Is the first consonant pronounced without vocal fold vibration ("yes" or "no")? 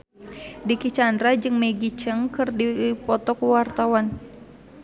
no